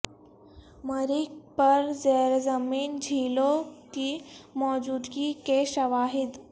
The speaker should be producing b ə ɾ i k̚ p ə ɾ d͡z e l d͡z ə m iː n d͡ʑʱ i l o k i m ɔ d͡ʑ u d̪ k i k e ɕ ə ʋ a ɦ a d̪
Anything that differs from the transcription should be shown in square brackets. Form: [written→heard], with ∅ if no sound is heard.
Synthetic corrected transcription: [b→m] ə ɾ i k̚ p ə ɾ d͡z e [l→ɾ] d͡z ə m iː n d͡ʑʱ i l o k i m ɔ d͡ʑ u d̪ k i k e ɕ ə ʋ a ɦ [a→i] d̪